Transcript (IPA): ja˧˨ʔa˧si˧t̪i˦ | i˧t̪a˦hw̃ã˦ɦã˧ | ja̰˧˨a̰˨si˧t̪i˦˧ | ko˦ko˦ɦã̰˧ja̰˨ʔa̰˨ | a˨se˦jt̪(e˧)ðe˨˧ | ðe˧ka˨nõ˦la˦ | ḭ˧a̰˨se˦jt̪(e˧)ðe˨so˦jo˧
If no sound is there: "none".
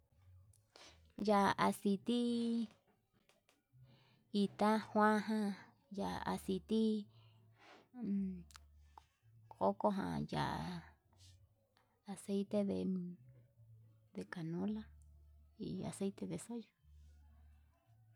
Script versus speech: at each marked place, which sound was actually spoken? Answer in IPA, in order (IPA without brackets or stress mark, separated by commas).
e˧, e˧